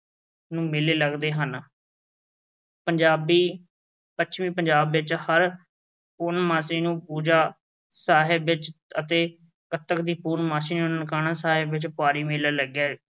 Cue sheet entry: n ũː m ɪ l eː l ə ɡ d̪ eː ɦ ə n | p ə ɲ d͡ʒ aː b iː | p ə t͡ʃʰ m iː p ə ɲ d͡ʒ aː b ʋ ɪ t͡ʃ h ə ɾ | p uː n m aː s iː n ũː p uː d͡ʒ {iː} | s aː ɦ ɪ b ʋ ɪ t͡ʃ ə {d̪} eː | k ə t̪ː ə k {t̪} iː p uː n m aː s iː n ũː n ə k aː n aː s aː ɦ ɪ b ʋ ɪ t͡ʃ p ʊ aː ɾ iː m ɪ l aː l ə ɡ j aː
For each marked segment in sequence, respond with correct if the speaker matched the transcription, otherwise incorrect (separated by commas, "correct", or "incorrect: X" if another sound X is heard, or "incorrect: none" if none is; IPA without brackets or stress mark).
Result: incorrect: aː, incorrect: t̪, incorrect: d̪